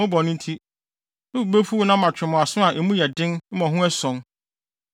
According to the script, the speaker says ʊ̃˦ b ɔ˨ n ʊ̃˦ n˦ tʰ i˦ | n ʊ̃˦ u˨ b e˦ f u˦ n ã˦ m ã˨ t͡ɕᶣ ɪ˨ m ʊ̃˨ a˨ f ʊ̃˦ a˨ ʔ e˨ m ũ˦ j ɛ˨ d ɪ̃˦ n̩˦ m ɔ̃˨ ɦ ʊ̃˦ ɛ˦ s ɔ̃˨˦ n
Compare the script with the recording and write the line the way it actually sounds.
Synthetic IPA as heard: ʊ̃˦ b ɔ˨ n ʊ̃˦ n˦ tʰ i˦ | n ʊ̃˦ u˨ b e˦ f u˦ n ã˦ m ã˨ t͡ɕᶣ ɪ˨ m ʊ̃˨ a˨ s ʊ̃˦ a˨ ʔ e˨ m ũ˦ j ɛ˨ d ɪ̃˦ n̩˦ m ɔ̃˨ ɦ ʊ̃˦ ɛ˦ s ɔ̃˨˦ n